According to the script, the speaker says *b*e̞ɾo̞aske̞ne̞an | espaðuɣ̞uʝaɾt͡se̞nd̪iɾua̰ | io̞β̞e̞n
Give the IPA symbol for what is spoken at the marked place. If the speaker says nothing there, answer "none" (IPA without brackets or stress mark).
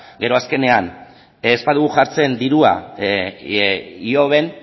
ɡ